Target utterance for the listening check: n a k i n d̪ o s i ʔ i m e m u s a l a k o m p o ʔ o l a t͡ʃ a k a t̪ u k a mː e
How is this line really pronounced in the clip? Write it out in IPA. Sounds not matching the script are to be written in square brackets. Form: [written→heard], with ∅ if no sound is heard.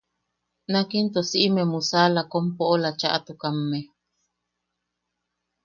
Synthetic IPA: n a k i n [d̪→t̪] o s i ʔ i m e m u s a l a k o m p o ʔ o l a t͡ʃ a [k→ʔ] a t̪ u k a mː e